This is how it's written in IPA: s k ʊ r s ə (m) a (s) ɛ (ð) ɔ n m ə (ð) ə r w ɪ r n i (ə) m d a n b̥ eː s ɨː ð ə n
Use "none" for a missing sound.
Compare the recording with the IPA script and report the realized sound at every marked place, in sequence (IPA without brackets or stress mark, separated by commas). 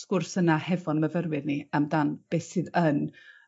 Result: n, h, v, v, a